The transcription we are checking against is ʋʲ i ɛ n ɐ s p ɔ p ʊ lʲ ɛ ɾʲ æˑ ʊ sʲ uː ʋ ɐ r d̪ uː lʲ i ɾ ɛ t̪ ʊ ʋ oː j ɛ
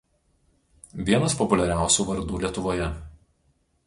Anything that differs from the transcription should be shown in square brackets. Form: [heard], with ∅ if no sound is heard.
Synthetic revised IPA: ʋʲ i ɛ n ɐ s p ɔ p ʊ lʲ ɛ ɾʲ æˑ ʊ sʲ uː ʋ ɐ [ɾ] d̪ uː lʲ i [∅] ɛ t̪ ʊ ʋ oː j ɛ